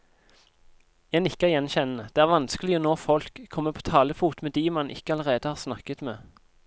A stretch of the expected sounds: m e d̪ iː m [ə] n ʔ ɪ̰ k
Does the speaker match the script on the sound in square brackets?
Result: no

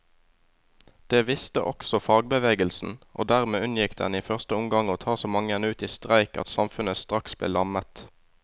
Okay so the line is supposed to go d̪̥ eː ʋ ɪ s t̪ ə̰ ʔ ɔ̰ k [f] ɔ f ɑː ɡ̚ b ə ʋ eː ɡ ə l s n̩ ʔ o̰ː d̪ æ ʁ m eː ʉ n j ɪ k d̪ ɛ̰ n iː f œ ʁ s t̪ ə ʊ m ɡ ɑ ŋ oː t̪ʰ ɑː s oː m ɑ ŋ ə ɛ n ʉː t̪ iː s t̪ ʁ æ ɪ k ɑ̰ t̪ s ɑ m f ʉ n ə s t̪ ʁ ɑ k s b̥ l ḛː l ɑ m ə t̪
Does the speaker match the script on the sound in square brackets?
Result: no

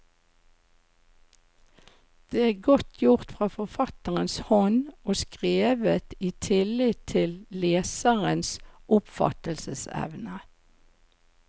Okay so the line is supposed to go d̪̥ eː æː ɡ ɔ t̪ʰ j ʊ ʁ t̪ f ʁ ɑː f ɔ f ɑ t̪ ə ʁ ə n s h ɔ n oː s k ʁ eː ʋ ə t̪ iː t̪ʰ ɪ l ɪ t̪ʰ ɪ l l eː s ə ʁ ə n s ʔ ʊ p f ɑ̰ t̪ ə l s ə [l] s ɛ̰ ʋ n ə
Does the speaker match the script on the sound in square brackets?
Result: no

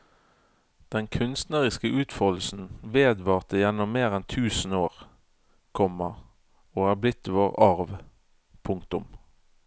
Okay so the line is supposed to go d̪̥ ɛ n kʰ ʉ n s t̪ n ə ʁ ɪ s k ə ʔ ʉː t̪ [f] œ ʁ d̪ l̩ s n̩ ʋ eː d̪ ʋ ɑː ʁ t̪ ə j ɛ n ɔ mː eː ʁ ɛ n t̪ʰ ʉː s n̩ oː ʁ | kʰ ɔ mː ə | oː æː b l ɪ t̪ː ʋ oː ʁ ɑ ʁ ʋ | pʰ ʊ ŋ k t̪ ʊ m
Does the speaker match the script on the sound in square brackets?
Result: yes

